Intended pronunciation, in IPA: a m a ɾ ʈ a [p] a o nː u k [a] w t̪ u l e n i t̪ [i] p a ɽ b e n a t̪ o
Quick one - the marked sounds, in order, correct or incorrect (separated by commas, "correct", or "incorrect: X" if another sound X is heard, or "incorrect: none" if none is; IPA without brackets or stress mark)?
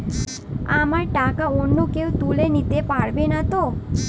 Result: incorrect: k, incorrect: e, incorrect: e